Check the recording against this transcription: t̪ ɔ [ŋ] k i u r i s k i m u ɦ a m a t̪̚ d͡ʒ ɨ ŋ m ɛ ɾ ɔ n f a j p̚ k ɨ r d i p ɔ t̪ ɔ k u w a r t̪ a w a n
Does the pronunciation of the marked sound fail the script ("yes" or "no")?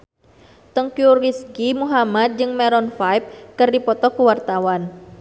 no